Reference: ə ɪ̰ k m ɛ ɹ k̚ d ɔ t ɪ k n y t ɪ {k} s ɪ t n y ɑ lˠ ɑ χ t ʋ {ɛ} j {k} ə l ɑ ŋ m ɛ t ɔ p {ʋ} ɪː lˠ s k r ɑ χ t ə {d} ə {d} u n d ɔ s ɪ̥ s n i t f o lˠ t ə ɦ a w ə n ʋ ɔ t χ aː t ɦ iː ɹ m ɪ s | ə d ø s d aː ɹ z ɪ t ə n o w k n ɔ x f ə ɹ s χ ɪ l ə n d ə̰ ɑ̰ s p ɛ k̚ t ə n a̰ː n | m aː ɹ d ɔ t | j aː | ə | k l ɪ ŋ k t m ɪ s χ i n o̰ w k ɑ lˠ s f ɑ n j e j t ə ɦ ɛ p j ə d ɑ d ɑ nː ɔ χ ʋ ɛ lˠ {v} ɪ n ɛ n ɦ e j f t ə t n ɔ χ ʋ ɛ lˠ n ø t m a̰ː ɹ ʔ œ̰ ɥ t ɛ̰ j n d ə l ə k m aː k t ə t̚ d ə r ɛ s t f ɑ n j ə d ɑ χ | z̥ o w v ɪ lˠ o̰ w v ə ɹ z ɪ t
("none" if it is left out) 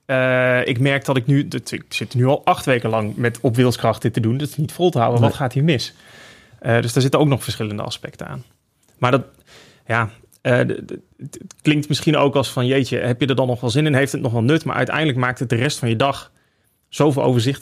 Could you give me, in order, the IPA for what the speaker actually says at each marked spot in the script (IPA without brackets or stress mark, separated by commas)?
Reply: k, e, k, ʋ, t, d, z